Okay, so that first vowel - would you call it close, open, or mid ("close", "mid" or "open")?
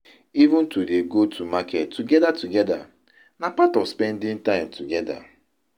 close